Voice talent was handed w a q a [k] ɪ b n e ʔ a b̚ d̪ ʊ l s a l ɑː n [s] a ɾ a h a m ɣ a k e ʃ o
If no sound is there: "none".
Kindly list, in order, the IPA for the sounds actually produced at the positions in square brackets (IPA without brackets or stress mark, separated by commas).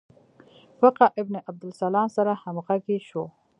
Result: ʔ, s